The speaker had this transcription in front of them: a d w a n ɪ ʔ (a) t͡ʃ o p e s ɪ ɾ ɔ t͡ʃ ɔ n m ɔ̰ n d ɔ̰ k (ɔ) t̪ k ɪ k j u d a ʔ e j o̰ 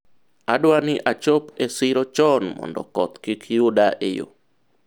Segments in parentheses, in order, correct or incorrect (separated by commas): correct, correct